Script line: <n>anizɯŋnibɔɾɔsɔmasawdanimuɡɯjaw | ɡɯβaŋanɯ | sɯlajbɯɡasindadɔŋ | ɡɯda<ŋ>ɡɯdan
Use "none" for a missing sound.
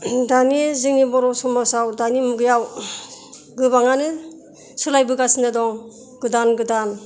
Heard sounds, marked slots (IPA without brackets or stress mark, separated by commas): d, n